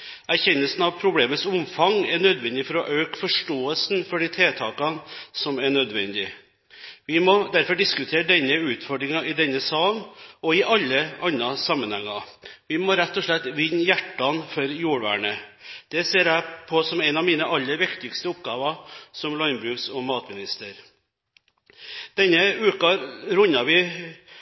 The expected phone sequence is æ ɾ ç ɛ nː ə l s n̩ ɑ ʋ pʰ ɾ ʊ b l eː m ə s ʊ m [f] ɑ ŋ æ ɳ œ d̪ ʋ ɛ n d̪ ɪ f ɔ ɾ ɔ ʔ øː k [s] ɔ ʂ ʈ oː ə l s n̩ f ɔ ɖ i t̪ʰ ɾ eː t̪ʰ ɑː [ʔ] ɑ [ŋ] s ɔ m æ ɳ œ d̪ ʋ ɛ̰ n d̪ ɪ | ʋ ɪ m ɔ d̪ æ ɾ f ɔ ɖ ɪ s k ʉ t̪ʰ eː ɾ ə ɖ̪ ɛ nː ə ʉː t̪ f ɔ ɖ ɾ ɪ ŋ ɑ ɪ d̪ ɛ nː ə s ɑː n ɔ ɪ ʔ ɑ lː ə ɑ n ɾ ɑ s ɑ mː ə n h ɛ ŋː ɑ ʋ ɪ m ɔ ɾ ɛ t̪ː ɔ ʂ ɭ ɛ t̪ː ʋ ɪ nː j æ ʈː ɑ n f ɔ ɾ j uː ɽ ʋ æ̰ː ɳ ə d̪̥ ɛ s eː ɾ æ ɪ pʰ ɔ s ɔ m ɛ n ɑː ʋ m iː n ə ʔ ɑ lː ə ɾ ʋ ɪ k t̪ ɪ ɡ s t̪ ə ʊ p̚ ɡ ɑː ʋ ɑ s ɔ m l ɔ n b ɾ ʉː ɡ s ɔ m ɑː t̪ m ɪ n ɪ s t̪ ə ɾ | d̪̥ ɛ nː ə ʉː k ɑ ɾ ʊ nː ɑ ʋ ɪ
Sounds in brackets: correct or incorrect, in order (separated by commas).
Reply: correct, incorrect, incorrect, incorrect